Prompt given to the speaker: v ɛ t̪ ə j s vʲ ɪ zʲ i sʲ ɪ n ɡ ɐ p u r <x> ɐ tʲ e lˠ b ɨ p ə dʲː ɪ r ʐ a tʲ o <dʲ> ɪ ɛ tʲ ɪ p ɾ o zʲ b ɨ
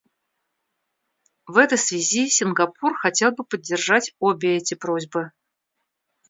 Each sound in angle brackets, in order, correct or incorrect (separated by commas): correct, incorrect